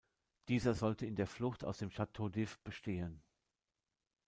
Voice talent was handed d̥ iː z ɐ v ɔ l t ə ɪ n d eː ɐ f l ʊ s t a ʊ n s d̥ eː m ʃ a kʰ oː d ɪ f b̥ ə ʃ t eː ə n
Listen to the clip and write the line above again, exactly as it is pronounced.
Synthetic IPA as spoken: d̥ iː z ɐ z ɔ l t ə ɪ n d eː ɐ f l ʊ x t a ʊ s d̥ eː m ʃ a tʰ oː d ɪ f b̥ ə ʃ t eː ə n